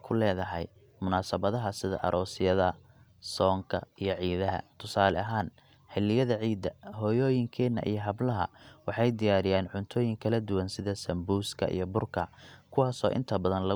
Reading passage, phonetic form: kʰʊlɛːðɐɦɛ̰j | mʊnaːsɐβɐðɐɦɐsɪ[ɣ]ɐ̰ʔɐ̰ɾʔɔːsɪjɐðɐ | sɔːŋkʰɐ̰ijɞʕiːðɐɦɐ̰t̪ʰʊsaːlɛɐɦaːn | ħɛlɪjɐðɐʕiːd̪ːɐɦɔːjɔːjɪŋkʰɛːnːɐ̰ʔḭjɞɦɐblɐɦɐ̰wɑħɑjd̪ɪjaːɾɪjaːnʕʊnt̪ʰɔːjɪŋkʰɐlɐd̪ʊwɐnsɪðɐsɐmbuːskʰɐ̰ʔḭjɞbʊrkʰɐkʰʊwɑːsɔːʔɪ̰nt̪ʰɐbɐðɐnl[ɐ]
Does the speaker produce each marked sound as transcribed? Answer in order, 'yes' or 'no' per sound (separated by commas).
no, yes